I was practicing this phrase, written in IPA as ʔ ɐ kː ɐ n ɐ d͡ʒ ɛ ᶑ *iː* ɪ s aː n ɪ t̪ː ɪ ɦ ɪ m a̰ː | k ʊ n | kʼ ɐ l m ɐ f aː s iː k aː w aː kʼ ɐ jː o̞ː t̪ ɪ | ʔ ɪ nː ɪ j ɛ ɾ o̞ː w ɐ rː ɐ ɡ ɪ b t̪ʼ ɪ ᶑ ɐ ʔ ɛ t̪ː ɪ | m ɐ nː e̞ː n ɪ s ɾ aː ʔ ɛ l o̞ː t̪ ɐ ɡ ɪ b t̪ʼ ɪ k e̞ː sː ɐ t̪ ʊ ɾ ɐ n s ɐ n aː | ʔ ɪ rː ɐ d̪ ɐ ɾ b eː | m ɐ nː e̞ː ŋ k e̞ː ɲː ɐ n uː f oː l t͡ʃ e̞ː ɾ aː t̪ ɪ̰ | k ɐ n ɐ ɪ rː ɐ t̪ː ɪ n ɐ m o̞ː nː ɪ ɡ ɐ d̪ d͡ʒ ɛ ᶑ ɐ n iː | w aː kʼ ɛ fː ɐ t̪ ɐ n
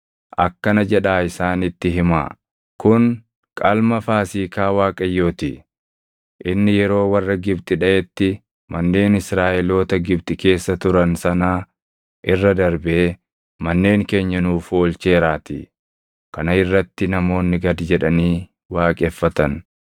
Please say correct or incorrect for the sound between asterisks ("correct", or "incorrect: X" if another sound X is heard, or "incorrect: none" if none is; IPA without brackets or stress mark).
incorrect: aː